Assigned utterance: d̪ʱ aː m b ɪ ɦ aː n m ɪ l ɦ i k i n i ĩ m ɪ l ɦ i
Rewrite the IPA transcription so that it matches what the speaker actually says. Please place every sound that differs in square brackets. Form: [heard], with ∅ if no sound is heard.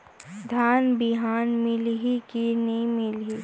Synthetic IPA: d̪ʱ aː [n] b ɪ ɦ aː n m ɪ l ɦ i k i n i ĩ m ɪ l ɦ i